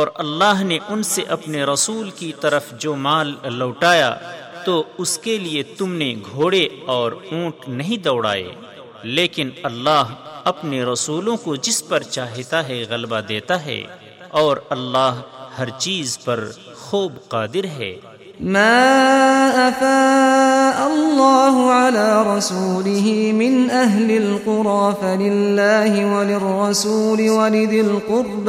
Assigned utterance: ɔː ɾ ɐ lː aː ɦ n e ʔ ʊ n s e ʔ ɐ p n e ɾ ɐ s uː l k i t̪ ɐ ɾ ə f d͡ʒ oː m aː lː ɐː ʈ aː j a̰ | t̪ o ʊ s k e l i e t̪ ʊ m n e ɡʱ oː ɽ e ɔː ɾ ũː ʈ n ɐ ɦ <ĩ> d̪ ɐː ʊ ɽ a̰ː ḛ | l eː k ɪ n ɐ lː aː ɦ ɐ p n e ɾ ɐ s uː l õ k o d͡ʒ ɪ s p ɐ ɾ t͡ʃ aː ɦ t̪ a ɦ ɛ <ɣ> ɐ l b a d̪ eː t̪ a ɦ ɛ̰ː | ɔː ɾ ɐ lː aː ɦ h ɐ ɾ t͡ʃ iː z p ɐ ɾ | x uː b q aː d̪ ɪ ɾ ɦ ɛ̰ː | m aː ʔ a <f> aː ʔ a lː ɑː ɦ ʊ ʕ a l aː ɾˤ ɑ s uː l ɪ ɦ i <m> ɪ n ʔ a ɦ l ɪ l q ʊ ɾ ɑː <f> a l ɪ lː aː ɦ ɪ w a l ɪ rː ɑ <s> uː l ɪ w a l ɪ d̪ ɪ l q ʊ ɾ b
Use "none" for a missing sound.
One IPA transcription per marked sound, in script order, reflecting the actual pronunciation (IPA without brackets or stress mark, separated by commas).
ĩ, ɣ, f, m, f, s